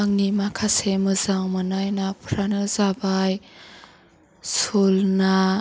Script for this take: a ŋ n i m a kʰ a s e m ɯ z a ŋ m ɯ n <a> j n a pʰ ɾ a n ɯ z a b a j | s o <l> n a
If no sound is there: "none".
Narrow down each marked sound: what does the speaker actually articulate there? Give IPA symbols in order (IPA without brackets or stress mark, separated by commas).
a, l